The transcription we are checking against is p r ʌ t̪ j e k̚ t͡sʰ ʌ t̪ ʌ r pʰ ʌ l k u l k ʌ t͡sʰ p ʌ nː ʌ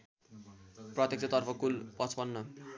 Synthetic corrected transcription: p r ʌ t̪ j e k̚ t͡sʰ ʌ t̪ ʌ r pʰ ʌ k u l p ʌ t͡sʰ p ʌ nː ʌ